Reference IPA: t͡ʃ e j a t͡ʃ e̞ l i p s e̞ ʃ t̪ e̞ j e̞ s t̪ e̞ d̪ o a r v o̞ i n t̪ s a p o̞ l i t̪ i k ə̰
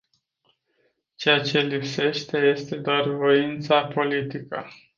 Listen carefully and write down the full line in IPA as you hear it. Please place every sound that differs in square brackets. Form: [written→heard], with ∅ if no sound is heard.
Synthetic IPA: t͡ʃ e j a t͡ʃ e̞ l i p s e̞ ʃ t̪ e̞ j e̞ s t̪ e̞ d̪ o a r v o̞ i n t̪ s a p o̞ l i t̪ i k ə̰